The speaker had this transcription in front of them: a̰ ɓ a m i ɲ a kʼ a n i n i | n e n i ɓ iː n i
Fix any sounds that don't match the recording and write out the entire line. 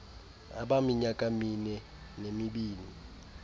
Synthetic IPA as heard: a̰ ɓ a m i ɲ a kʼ a m i n ɛ | n e m i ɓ iː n i